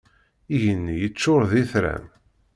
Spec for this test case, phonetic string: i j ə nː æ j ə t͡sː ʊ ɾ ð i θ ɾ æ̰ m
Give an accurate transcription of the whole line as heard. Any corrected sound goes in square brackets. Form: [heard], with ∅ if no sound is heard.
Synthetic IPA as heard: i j ə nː [i] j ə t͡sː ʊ ɾ ð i θ ɾ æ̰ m